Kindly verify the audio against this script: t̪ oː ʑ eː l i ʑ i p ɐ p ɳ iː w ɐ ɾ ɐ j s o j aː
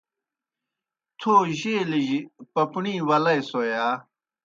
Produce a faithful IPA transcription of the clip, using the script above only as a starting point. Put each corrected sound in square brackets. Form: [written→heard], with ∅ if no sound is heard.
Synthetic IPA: [t̪→t̪ʰ] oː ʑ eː l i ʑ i p ɐ p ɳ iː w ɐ [ɾ→l] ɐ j s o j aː